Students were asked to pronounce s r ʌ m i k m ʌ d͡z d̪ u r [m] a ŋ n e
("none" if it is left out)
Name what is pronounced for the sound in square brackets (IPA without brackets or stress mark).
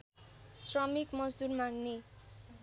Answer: m